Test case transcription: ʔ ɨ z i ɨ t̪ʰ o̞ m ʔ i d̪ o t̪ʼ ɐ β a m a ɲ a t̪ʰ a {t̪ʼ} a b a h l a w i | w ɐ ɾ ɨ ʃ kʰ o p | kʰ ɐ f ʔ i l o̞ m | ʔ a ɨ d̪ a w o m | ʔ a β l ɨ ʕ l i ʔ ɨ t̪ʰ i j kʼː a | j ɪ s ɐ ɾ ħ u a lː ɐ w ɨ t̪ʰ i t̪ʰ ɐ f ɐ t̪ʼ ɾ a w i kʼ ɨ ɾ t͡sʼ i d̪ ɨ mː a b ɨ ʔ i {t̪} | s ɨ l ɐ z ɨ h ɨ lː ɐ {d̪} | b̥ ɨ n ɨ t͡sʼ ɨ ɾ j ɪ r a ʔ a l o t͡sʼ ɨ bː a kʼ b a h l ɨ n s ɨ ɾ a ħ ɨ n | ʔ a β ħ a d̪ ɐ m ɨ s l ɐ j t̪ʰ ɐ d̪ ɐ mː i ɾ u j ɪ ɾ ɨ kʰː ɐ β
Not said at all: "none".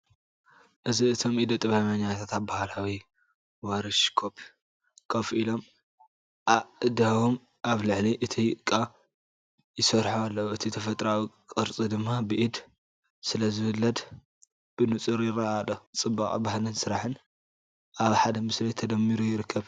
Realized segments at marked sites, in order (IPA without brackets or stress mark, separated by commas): t̪, d̪, d̪